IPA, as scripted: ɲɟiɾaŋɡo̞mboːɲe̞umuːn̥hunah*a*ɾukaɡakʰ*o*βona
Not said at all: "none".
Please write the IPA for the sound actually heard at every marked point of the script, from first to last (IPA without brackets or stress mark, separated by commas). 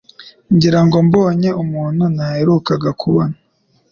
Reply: e, u